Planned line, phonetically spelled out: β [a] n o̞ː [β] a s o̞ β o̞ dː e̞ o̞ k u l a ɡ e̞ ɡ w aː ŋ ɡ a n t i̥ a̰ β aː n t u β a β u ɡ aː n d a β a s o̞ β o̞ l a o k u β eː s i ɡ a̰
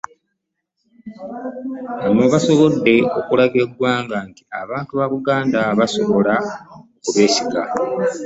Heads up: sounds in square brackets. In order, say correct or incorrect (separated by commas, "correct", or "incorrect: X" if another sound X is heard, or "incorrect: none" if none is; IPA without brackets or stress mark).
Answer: correct, correct